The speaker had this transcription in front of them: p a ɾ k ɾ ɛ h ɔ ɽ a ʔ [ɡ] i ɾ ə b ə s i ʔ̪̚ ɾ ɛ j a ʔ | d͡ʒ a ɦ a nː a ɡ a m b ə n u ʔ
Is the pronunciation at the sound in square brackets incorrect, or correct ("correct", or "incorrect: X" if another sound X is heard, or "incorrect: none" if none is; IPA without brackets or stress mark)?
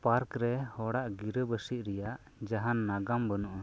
correct